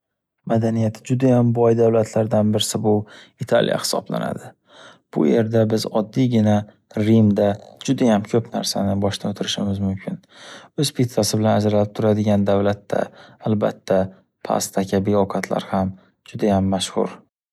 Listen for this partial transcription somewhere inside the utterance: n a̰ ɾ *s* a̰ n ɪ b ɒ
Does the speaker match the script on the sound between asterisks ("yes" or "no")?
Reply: yes